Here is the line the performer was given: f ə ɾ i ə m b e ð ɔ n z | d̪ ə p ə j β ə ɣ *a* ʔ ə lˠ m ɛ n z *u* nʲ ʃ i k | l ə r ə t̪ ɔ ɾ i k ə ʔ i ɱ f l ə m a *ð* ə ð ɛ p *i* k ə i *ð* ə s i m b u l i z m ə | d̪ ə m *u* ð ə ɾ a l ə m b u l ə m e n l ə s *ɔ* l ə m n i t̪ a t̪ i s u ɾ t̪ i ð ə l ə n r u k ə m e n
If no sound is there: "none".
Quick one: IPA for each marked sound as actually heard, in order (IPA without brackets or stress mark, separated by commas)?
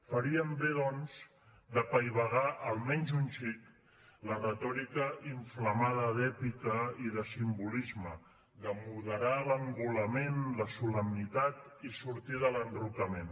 a, u, ð, i, ð, u, u